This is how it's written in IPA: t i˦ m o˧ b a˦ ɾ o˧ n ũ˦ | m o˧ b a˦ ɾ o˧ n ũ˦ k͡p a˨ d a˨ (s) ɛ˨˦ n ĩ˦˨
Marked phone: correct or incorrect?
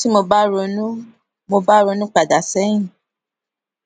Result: correct